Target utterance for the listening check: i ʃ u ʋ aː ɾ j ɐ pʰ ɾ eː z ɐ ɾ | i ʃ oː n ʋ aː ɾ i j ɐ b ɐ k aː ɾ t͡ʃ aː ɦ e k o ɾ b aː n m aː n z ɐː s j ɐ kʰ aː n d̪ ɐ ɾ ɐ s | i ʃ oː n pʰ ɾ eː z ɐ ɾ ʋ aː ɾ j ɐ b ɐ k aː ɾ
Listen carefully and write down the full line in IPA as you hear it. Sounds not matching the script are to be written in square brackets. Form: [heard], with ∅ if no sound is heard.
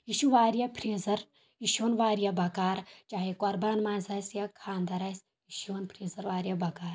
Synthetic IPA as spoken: i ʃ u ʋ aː ɾ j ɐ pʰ ɾ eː z ɐ ɾ | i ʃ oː n ʋ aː ɾ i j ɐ b ɐ k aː ɾ t͡ʃ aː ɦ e k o ɾ b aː n m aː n z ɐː s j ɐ kʰ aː n d̪ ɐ ɾ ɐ s | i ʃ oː n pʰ ɾ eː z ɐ ɾ ʋ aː ɾ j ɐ b ɐ k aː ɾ